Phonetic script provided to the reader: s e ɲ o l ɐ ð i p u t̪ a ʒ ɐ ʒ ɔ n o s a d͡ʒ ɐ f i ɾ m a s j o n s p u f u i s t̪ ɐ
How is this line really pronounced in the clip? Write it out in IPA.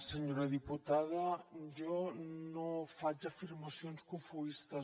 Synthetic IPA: s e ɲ o ɾ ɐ ð i p u t̪ a ð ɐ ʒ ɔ n o f a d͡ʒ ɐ f i ɾ m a s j o n s k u f u i s t̪ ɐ